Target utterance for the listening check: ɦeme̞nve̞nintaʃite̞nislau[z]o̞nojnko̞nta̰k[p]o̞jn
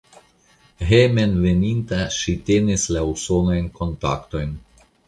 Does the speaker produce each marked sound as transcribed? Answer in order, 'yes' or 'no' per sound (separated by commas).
no, no